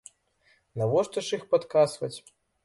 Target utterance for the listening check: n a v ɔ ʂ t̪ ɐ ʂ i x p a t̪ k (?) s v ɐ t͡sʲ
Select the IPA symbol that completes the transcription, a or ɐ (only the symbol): a